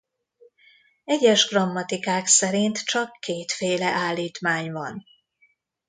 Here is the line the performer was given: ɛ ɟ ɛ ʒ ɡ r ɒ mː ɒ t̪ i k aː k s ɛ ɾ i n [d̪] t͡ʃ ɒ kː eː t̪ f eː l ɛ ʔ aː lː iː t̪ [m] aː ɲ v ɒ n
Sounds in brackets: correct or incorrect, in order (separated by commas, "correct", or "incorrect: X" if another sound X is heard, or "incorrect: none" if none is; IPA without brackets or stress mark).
incorrect: t̪, correct